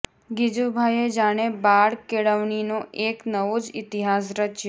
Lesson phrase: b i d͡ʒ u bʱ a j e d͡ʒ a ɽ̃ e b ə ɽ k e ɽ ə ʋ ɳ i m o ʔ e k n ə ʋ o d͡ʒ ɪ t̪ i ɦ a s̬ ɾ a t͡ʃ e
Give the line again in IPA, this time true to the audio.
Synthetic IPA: ɡ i d͡ʒ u bʱ a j e d͡ʒ a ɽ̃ e b a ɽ k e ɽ ə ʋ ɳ i n o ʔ e k n ə ʋ o d͡ʒ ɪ t̪ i ɦ a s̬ ɾ ə t͡ʃ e